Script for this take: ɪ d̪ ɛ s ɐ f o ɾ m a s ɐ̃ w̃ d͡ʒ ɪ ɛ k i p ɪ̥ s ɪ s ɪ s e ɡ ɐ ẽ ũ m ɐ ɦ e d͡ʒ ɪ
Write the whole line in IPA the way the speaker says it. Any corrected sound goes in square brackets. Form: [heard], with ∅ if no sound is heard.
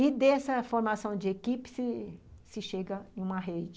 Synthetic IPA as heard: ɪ d̪ ɛ s ɐ f o ɾ m a s ɐ̃ w̃ d͡ʒ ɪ [e] k i p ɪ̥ s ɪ s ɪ [ʃ] e ɡ ɐ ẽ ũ m ɐ ɦ e d͡ʒ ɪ

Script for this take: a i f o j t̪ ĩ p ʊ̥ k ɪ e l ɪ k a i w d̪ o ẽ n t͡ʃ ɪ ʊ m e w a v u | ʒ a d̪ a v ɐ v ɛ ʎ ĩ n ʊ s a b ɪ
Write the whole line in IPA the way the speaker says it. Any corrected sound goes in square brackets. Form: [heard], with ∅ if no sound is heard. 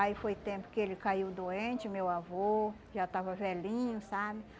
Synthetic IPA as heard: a i f o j t̪ [ẽ] p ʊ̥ k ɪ e l ɪ k a i w d̪ o ẽ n t͡ʃ ɪ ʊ m e w a v [o] | ʒ a [t̪] a v ɐ v ɛ [l] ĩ [ɲ] ʊ s a b ɪ

